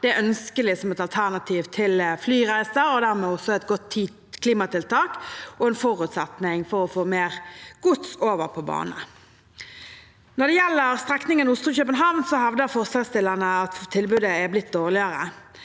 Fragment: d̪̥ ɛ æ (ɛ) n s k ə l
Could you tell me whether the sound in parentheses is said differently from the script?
yes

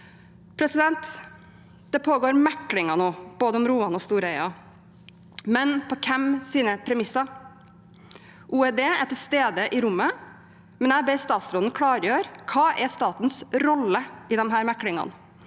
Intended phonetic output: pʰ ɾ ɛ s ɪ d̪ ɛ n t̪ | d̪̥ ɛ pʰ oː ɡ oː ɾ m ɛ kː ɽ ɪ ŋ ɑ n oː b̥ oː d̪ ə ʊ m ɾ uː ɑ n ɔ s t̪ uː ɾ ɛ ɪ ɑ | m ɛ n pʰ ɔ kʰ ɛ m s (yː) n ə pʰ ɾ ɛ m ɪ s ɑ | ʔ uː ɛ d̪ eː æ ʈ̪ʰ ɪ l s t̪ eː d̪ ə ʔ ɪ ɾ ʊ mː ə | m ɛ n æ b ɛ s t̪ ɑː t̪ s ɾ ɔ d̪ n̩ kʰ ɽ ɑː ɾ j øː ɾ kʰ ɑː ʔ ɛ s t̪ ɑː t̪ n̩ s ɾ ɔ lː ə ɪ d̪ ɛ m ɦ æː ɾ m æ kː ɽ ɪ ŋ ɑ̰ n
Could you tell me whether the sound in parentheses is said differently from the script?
yes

